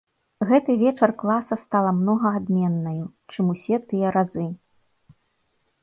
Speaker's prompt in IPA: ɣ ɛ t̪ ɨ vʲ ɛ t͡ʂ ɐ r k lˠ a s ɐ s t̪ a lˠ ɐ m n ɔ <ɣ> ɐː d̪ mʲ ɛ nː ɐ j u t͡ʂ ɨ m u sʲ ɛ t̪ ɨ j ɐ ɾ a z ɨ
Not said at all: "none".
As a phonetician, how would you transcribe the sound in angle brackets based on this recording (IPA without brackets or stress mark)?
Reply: ɣ